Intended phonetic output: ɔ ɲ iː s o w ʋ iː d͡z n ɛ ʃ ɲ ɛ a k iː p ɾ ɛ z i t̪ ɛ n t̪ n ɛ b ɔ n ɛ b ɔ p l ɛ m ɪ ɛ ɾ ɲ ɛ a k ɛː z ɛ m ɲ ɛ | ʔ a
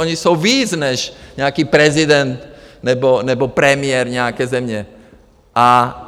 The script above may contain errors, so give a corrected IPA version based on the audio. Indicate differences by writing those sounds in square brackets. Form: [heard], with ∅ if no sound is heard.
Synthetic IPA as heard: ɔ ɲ [i] s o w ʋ iː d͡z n ɛ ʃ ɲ ɛ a k iː p ɾ ɛ z i [d̪] ɛ n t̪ n ɛ b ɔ n ɛ b ɔ p [ɾ] ɛ m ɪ ɛ ɾ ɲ ɛ a k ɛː z ɛ m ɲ ɛ | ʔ a